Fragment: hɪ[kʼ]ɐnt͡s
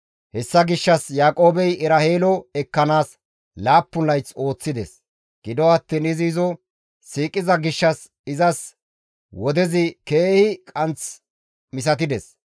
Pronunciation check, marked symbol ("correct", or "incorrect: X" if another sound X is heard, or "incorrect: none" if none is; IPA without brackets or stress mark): correct